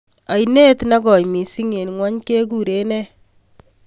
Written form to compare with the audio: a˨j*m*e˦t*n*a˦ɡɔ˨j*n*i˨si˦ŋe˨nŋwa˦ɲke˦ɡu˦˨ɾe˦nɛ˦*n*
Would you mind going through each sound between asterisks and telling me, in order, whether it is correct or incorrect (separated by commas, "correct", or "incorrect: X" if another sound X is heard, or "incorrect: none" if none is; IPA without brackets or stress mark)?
incorrect: n, correct, incorrect: m, incorrect: none